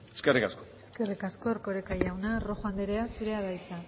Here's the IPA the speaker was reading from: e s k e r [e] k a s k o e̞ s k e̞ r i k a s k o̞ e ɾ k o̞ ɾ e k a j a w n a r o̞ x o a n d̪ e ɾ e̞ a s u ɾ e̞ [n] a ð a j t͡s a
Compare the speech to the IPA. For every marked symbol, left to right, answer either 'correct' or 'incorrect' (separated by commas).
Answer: incorrect, incorrect